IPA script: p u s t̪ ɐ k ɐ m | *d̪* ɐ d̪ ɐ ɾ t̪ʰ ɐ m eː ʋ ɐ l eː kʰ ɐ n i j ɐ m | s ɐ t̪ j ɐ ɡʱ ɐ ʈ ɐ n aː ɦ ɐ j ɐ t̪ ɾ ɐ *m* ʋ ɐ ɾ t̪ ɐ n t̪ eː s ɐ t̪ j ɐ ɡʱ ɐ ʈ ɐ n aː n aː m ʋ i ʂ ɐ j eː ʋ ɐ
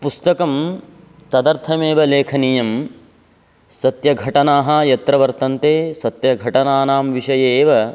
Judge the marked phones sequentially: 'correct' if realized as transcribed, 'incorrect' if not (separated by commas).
incorrect, incorrect